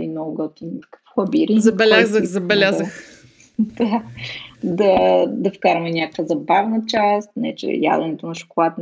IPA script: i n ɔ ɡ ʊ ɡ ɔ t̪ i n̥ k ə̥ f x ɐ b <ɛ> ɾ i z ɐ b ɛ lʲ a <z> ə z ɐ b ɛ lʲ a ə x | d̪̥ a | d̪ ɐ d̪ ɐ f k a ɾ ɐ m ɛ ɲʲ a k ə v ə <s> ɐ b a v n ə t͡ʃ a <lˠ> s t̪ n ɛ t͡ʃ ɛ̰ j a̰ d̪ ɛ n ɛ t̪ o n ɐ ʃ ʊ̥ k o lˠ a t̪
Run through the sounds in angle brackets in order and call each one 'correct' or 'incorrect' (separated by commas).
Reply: incorrect, correct, incorrect, incorrect